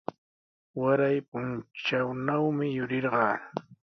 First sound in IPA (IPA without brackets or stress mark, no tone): w